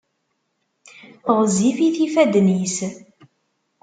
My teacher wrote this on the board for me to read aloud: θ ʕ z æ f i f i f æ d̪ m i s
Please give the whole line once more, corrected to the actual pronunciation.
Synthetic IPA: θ ʁ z i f i θ i f æ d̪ n i s